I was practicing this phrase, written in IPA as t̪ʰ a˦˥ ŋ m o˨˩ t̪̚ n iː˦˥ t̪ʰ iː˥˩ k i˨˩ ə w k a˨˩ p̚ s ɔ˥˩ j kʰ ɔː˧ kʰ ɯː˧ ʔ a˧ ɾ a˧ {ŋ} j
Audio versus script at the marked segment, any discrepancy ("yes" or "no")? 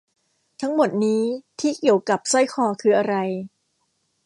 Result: yes